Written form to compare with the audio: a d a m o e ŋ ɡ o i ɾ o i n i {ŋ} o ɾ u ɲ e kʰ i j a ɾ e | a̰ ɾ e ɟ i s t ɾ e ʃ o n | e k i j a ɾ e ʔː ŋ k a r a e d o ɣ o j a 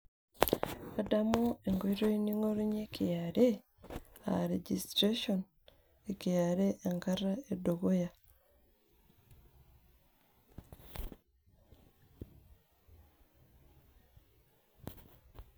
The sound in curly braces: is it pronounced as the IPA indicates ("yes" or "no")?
yes